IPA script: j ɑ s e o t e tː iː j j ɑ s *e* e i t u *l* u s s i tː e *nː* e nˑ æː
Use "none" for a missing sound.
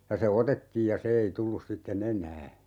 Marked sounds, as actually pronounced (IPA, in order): e, lː, n

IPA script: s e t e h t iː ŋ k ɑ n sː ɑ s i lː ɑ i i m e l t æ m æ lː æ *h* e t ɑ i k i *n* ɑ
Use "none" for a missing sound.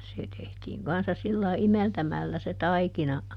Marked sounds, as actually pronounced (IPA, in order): s, n

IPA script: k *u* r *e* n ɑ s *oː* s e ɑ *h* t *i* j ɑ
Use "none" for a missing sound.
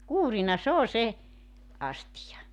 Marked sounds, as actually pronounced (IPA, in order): uː, i, oː, s, i

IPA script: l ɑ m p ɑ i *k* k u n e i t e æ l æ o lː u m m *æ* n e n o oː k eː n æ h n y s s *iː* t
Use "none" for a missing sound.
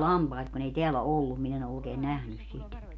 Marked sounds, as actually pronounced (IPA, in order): t, i, i

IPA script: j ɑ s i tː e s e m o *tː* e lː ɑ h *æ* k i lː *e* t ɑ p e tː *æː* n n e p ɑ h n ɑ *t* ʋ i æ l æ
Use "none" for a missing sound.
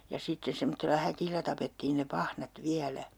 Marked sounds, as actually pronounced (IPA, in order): tː, æ, æ, iː, t

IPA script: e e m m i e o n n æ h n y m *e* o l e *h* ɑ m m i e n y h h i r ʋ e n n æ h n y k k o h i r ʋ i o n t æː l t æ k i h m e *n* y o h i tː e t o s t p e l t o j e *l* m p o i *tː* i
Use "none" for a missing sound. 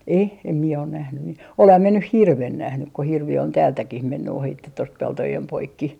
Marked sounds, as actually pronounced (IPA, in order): i, h, nː, none, kː

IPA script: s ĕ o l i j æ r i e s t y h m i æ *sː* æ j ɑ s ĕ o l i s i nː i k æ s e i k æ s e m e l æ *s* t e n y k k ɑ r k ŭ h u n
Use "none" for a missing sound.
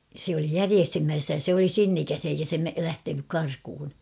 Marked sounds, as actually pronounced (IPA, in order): sː, h

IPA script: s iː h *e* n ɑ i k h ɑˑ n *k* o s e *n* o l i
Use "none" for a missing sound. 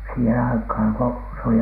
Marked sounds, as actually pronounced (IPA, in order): e, k, none

